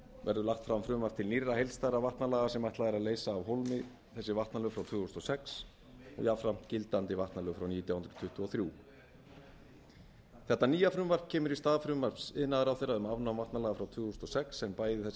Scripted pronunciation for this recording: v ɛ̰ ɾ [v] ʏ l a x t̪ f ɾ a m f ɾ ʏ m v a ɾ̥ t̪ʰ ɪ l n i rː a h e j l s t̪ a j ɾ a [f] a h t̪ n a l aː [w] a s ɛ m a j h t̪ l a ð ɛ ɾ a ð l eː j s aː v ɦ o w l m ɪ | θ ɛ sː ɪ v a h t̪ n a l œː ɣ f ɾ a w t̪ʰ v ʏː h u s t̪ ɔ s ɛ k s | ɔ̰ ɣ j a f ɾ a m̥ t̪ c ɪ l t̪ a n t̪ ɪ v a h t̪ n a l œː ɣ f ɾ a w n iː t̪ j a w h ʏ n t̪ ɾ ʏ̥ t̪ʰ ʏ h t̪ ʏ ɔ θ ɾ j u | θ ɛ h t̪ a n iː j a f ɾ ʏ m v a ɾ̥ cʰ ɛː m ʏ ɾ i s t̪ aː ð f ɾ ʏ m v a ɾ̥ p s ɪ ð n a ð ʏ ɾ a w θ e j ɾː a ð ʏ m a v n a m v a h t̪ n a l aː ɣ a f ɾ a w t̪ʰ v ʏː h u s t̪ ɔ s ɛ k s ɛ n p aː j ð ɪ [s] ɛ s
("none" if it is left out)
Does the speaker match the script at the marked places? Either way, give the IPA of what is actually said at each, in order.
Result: ð, v, ɣ, θ

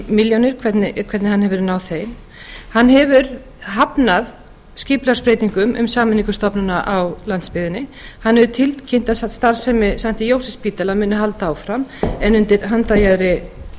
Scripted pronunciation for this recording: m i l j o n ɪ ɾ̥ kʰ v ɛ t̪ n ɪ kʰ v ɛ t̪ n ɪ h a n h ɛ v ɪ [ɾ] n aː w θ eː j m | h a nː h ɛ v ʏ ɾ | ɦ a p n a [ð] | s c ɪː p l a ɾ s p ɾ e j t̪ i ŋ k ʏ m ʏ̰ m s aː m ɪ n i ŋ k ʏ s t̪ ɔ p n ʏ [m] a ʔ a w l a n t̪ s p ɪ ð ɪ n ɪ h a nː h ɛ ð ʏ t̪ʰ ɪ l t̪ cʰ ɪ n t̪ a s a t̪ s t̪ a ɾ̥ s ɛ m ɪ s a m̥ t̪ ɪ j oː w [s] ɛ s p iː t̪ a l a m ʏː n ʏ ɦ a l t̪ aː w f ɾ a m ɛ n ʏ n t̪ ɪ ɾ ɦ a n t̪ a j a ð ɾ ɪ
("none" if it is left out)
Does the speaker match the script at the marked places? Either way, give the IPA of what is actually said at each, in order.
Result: ɾ, ð, n, s

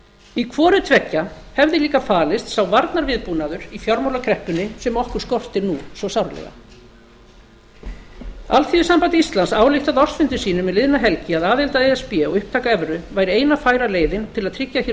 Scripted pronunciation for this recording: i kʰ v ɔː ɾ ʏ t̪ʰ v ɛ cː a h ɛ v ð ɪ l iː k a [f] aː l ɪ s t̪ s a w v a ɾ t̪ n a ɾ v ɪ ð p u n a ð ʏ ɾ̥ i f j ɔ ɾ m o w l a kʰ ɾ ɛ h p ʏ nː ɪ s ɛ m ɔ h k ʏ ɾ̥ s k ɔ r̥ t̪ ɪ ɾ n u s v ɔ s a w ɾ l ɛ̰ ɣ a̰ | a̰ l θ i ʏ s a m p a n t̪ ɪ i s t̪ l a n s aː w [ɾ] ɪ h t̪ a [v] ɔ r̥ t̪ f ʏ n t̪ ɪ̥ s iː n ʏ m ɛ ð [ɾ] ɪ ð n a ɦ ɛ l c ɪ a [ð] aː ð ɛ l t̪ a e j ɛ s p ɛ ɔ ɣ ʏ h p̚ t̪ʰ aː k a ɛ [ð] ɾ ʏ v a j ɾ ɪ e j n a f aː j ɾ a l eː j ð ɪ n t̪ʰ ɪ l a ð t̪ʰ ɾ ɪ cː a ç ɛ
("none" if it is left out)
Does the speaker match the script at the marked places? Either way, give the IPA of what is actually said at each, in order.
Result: f, l, ð, l, ð, v

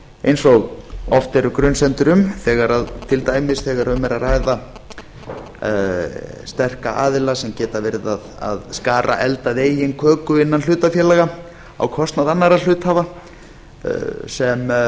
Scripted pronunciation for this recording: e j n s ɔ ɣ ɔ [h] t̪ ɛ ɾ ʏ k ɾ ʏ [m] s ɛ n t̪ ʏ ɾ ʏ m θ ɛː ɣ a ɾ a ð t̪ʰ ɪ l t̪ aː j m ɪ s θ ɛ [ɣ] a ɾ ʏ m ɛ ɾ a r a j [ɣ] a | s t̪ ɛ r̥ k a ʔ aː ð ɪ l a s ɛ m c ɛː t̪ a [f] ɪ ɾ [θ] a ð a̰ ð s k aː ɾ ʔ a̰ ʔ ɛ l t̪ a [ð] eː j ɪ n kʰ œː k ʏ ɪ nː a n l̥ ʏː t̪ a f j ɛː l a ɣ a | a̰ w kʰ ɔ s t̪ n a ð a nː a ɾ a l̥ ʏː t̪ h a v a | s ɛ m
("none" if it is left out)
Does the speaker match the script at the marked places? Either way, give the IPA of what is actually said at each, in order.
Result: f, n, ɣ, ð, v, ð, ð

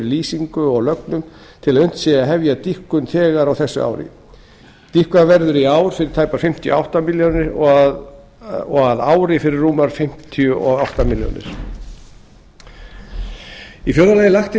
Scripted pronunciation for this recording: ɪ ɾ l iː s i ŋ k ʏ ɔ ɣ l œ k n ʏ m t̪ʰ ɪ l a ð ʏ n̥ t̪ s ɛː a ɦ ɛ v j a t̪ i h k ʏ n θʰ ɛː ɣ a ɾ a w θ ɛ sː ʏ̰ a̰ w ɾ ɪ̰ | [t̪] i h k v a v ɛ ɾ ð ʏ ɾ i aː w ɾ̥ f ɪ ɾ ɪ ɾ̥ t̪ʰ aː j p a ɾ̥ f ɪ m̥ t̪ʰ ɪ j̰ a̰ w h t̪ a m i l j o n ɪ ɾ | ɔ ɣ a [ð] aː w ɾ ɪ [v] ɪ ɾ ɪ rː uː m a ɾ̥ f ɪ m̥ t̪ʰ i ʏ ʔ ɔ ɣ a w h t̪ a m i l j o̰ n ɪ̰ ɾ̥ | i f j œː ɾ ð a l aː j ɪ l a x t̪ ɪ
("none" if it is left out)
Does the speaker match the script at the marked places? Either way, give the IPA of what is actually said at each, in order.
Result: t̪, ð, f

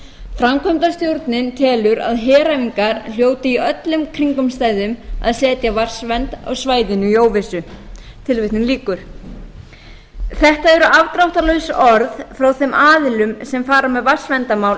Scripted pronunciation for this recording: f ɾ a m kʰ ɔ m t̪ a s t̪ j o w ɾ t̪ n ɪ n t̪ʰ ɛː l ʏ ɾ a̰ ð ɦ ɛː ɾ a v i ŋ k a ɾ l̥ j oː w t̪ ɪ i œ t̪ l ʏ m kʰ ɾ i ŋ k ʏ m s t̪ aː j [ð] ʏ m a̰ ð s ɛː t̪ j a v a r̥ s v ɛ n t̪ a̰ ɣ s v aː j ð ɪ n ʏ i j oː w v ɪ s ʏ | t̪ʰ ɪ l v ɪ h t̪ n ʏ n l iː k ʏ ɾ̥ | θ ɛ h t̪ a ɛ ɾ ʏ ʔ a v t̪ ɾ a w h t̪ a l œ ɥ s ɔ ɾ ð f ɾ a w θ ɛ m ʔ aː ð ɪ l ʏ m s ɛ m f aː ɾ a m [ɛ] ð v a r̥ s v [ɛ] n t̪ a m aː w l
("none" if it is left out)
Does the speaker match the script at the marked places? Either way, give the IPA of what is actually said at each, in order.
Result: ð, ɛ, ɛ

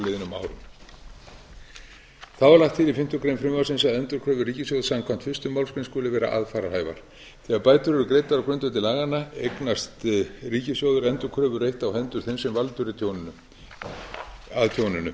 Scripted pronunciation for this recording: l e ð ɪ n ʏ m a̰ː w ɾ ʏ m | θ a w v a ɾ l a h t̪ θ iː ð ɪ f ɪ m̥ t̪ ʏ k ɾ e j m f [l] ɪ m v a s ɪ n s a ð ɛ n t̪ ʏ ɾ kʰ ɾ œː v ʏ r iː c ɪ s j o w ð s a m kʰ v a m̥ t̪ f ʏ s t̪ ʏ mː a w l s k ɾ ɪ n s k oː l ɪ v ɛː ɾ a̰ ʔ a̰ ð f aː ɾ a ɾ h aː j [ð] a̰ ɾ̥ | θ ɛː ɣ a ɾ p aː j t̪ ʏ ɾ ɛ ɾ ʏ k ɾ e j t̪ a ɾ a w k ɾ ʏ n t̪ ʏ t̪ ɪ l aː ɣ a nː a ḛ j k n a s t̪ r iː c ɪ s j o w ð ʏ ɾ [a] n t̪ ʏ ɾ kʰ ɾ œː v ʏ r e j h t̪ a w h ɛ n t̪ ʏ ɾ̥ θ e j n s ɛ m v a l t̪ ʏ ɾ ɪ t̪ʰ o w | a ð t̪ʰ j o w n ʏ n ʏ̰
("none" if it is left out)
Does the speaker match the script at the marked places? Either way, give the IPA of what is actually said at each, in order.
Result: ɾ, v, ɛ

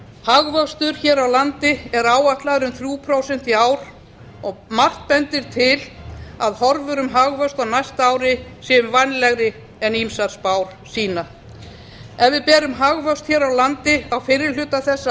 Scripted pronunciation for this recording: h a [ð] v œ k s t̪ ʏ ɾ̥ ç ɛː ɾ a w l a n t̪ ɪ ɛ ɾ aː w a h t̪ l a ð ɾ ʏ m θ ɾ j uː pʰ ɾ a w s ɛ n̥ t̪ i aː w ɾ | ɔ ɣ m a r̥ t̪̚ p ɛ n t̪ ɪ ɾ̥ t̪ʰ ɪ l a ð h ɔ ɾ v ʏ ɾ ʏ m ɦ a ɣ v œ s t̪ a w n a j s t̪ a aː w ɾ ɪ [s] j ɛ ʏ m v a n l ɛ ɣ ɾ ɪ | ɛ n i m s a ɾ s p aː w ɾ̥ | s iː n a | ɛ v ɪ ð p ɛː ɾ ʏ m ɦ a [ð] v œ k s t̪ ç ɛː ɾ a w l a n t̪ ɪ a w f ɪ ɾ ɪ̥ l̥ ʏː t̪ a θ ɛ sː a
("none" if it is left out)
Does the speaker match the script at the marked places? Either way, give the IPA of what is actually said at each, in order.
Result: ɣ, s, ɣ

